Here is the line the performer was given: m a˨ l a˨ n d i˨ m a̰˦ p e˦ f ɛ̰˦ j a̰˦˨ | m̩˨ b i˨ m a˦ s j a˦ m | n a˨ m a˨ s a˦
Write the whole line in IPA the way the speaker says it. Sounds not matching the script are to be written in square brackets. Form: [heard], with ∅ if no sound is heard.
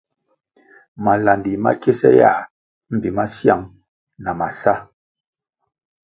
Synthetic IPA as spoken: m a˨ l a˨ n d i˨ m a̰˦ [k] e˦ [s] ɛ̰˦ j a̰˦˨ | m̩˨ b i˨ m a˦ s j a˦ [ŋ] | n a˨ m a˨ s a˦